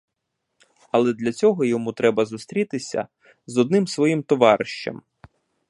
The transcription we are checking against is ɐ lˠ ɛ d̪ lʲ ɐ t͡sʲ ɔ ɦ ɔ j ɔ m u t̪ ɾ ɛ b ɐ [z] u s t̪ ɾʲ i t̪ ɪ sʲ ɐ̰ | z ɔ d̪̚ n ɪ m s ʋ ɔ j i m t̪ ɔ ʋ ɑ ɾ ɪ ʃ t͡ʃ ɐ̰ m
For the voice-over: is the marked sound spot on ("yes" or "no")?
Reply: yes